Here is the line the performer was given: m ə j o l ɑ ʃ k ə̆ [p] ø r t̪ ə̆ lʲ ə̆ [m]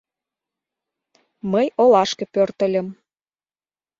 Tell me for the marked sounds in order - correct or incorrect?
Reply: correct, correct

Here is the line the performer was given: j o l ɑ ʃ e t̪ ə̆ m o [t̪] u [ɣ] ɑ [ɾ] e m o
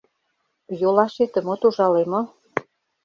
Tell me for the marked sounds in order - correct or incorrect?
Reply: correct, incorrect: ʒ, incorrect: l

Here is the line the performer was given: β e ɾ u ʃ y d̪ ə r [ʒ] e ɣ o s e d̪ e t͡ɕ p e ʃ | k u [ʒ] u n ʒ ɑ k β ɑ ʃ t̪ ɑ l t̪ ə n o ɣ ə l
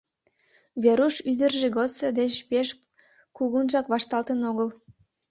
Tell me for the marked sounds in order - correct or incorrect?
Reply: correct, incorrect: ɣ

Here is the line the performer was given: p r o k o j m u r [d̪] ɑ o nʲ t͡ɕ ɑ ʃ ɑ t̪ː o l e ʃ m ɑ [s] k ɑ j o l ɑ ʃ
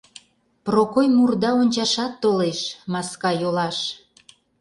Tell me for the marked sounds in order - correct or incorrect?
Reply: correct, correct

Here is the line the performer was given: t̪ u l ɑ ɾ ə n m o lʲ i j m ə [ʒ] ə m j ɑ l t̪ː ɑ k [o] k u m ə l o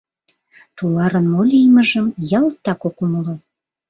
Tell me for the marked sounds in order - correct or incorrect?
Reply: correct, correct

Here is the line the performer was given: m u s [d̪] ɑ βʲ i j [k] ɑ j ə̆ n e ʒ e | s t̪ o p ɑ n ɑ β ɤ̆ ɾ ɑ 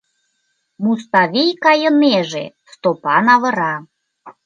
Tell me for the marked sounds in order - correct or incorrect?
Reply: incorrect: t̪, correct

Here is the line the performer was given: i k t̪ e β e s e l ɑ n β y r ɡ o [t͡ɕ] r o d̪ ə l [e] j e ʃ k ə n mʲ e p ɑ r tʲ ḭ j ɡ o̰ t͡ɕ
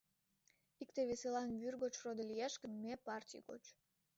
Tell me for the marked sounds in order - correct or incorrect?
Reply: correct, incorrect: i

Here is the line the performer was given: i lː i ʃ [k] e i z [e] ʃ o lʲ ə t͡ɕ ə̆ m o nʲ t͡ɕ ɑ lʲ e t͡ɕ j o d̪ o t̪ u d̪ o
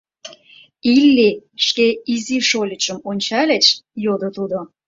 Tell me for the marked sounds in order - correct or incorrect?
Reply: correct, incorrect: i

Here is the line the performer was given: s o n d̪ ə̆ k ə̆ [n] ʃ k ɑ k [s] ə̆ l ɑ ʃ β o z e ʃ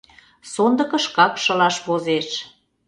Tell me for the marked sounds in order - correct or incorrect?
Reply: incorrect: none, incorrect: ʃ

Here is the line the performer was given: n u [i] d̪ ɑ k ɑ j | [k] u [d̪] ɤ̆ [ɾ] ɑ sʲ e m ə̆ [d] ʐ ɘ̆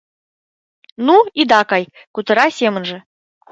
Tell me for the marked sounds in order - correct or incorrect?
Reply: correct, correct, incorrect: t̪, correct, incorrect: n

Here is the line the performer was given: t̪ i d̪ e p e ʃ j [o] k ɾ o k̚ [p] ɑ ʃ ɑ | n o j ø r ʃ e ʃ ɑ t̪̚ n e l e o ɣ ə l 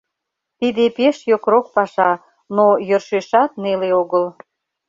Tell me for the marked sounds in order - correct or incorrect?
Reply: correct, correct

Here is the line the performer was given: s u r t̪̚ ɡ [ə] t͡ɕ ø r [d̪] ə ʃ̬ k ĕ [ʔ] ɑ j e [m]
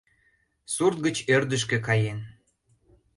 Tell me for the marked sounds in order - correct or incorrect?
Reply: correct, correct, incorrect: k, incorrect: n

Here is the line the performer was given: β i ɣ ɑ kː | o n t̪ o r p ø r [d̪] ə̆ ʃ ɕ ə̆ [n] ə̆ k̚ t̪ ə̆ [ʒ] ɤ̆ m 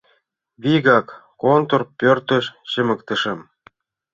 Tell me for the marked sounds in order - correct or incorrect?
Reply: incorrect: t̪, incorrect: m, incorrect: ʃ

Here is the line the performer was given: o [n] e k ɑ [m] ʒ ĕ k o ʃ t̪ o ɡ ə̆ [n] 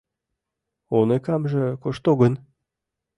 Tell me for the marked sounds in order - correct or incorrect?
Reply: correct, correct, correct

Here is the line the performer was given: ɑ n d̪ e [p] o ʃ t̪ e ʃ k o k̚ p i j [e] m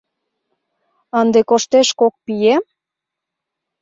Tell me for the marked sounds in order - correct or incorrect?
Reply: incorrect: k, correct

